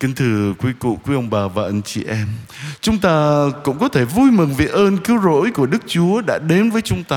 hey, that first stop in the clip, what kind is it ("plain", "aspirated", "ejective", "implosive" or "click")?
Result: plain